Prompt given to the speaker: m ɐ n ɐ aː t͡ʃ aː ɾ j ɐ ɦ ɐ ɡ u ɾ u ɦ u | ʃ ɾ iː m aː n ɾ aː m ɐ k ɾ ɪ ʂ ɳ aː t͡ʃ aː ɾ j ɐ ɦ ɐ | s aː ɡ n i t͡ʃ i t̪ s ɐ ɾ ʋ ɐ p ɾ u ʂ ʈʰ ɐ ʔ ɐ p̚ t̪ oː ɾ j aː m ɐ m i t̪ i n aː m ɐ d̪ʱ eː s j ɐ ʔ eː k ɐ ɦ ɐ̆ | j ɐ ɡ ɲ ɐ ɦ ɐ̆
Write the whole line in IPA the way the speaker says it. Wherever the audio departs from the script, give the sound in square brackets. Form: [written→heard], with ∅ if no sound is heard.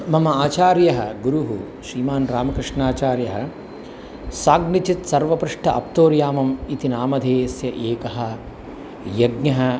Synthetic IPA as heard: m ɐ [n→m] ɐ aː t͡ʃ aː ɾ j ɐ ɦ ɐ ɡ u ɾ u ɦ u | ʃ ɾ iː m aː n ɾ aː m ɐ k ɾ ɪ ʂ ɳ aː t͡ʃ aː ɾ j ɐ ɦ ɐ | s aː ɡ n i t͡ʃ i t̪ s ɐ ɾ ʋ ɐ p ɾ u ʂ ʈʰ ɐ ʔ ɐ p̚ t̪ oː ɾ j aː m ɐ m i t̪ i n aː m ɐ d̪ʱ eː s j ɐ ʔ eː k ɐ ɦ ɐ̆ | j ɐ ɡ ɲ ɐ ɦ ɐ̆